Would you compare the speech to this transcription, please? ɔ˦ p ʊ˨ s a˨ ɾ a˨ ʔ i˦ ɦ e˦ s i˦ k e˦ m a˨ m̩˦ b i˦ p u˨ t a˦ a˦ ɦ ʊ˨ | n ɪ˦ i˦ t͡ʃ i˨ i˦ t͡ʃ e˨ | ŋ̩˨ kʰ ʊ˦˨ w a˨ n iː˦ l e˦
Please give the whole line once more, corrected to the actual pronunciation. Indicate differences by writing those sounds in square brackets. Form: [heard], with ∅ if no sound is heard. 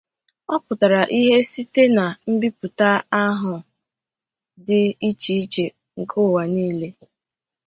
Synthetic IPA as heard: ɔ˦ p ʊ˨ [t] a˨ ɾ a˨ ʔ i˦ ɦ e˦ s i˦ [t] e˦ [n] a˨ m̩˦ b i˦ p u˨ t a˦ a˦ ɦ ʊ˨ | [d] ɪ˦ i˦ t͡ʃ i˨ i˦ t͡ʃ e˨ | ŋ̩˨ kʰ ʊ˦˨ w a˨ n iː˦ l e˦